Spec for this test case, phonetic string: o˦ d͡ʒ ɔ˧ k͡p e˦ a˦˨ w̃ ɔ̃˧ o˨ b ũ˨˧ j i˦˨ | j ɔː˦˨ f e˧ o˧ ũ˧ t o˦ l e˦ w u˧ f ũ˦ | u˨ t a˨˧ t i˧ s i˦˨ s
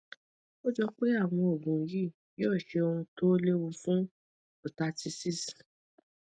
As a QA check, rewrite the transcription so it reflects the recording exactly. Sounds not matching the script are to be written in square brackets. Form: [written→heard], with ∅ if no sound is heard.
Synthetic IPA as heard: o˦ d͡ʒ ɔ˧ k͡p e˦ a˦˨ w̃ ɔ̃˧ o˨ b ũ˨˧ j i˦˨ | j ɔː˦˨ [f→ʃ] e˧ o˧ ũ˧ t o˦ l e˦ w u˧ f ũ˦ | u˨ t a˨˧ t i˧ s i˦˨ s